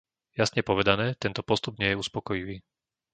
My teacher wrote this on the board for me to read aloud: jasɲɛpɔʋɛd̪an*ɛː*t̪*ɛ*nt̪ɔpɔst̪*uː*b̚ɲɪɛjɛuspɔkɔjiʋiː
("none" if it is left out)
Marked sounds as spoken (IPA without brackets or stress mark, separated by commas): ɛː, ɛ, u